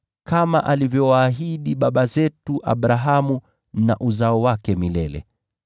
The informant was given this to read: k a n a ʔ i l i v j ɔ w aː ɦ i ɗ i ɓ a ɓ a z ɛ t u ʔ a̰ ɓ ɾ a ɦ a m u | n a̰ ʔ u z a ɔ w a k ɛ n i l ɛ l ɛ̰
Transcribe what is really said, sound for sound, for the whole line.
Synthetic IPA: k a m a ʔ a l i v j ɔ w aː ɦ i ɗ i ɓ a ɓ a z ɛ t u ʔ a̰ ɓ ɾ a ɦ a m u | n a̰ ʔ u z a ɔ w a k ɛ m i l ɛ l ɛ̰